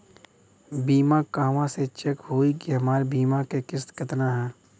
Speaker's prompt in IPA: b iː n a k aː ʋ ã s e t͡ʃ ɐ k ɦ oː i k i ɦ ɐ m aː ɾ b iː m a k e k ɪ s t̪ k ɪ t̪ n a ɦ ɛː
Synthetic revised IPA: b iː m a k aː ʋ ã s e t͡ʃ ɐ k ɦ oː i k i ɦ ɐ m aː ɾ b iː m a k e k ɪ s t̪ k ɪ t̪ n a ɦ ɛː